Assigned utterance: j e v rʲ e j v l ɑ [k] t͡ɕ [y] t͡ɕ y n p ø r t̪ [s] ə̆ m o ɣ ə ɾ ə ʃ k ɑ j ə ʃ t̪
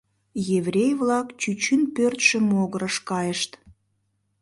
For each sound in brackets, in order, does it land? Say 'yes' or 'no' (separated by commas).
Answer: yes, yes, no